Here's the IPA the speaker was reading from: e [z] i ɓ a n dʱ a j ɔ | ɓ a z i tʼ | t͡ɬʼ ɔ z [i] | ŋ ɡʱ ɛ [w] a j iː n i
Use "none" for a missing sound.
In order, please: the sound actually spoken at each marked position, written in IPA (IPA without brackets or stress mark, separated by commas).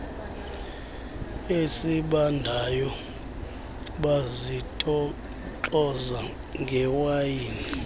s, a, w